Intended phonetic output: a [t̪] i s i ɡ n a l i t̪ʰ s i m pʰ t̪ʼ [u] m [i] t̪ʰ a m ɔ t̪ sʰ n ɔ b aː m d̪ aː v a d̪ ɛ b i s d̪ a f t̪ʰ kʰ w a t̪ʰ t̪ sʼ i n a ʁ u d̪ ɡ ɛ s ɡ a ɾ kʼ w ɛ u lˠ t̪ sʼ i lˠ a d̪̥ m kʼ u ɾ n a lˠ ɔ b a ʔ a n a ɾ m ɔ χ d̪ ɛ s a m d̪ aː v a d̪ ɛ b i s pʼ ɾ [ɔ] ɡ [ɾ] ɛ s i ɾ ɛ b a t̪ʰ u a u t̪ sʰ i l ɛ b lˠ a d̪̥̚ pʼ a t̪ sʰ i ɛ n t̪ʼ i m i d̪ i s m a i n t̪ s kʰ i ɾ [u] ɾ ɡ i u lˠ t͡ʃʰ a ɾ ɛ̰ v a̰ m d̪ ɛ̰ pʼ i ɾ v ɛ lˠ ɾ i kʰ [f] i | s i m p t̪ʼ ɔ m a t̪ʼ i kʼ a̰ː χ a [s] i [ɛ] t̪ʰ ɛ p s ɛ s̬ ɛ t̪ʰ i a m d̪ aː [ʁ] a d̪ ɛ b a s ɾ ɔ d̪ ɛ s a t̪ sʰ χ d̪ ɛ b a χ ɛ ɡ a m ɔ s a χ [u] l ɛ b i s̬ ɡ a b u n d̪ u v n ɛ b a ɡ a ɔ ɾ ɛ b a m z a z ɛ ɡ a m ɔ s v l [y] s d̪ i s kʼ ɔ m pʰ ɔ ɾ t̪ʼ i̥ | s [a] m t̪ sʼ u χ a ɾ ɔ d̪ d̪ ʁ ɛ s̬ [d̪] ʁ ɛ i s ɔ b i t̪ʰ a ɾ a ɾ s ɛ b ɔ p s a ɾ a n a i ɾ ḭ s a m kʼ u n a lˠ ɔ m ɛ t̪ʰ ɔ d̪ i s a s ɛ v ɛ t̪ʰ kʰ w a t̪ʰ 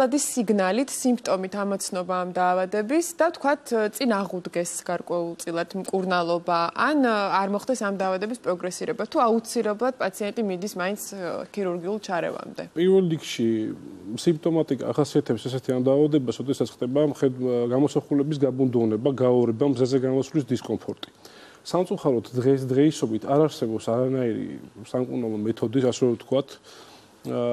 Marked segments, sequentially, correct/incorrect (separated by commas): incorrect, incorrect, correct, correct, correct, correct, incorrect, correct, incorrect, incorrect, correct, incorrect, correct, correct